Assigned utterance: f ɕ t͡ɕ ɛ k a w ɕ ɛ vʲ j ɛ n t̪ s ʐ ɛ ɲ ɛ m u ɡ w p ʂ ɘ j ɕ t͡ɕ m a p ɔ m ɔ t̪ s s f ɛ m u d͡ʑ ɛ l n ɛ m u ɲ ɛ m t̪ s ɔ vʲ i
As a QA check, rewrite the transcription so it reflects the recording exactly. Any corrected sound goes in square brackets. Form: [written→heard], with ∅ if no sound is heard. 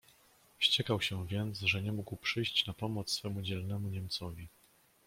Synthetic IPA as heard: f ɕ t͡ɕ ɛ k a w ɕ ɛ vʲ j ɛ n t̪ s ʐ ɛ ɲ ɛ m u ɡ w p ʂ ɘ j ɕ t͡ɕ [m→n] a p ɔ m ɔ t̪ s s f ɛ m u d͡ʑ ɛ l n ɛ m u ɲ ɛ m t̪ s ɔ vʲ i